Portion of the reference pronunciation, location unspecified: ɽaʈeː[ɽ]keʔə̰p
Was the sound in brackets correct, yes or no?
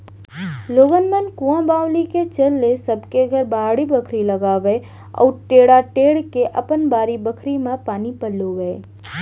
yes